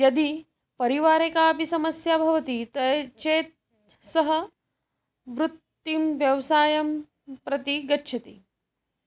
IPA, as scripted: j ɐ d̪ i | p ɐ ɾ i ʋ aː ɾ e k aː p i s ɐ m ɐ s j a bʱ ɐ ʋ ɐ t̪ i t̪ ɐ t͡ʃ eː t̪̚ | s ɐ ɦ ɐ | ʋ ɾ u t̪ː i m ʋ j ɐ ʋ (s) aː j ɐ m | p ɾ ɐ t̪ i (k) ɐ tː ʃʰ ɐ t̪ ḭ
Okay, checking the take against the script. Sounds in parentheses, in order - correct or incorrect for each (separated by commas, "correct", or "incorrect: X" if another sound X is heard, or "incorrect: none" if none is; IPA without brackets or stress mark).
correct, incorrect: ɡ